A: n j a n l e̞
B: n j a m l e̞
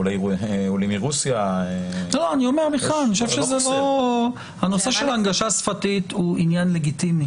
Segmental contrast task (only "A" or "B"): A